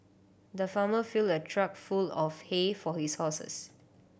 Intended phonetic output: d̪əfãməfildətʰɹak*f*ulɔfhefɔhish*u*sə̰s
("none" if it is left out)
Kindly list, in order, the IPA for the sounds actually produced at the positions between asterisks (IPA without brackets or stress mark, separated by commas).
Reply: f, ɔ